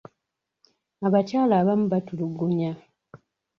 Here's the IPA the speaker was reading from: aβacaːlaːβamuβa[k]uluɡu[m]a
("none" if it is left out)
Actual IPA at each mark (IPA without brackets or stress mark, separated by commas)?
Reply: t, ɲ